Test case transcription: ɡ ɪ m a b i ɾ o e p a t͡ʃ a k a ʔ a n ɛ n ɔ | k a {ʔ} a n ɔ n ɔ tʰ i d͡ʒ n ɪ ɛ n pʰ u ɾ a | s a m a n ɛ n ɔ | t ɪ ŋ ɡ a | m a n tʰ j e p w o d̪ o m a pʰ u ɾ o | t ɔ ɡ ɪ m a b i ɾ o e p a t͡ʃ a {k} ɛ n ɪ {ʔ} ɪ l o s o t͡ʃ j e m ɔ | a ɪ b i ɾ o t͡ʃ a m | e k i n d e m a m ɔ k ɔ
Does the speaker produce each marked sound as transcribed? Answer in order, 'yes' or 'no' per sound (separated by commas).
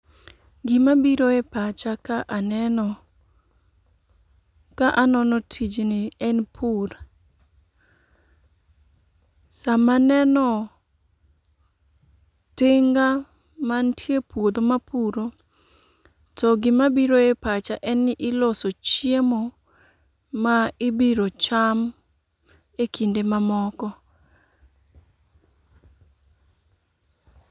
yes, no, yes